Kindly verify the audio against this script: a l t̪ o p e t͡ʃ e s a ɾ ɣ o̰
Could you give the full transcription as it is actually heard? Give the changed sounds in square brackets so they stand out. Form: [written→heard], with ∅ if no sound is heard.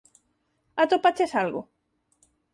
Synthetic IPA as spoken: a [l→∅] t̪ o p [e→a] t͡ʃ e s a [ɾ→l] ɣ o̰